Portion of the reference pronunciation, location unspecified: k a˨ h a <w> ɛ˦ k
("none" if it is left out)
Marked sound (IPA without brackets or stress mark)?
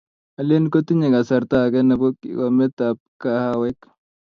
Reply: w